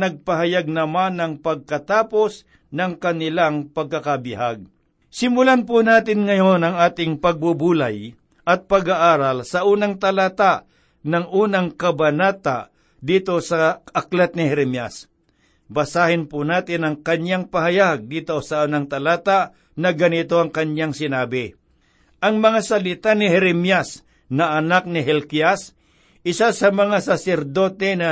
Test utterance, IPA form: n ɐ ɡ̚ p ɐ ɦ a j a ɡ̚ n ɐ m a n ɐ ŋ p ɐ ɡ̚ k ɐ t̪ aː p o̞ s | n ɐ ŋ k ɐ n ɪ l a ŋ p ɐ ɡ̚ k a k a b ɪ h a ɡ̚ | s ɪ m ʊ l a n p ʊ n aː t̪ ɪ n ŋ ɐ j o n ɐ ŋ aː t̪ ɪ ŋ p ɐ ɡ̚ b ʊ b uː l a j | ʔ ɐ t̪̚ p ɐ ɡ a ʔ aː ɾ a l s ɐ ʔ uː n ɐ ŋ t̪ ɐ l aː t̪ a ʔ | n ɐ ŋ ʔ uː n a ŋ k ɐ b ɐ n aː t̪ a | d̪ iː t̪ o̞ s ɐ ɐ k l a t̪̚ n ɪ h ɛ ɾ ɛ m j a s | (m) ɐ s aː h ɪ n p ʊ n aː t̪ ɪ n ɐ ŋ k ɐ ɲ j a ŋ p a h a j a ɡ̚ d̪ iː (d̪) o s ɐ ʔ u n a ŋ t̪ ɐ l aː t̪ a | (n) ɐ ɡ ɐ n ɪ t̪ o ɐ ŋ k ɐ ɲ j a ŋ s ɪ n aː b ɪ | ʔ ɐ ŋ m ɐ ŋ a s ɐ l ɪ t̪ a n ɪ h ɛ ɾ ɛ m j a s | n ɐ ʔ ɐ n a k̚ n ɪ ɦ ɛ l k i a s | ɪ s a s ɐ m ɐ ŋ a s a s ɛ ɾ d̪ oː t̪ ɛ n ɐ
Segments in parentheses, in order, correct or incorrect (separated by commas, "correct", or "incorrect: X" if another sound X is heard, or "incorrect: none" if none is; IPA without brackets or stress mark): incorrect: b, incorrect: t̪, correct